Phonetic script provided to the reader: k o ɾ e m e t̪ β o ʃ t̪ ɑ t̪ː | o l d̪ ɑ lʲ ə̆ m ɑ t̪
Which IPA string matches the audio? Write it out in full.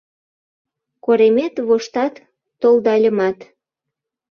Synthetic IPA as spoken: k o ɾ e m e t̪ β o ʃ t̪ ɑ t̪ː | o l d̪ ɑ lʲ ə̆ m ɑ t̪